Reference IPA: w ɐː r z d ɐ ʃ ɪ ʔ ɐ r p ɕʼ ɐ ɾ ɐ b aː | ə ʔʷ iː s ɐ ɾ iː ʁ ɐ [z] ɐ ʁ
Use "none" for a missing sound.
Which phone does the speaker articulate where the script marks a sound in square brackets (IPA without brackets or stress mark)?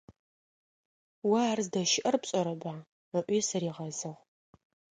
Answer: z